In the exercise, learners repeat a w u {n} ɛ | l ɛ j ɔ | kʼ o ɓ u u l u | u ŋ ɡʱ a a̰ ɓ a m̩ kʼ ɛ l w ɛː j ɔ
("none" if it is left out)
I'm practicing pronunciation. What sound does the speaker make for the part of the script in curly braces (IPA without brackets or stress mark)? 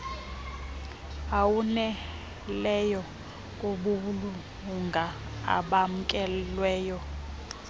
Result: n